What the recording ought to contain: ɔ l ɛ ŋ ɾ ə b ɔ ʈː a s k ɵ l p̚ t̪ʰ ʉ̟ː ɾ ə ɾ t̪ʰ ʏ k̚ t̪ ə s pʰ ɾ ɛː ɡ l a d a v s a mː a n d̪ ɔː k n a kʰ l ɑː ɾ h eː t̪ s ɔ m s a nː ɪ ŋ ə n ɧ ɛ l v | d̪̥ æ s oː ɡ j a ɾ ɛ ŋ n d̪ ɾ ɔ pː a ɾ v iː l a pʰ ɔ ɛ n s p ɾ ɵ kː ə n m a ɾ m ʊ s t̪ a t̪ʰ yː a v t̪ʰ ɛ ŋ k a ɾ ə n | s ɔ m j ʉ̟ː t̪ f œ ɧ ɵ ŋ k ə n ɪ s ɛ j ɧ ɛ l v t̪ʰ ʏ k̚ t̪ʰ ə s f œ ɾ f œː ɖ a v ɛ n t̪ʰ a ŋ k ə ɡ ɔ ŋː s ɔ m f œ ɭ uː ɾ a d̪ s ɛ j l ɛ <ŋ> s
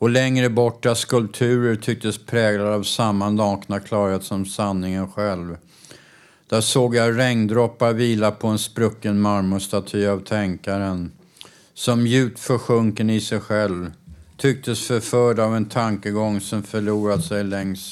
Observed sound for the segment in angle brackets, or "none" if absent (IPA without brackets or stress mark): ŋ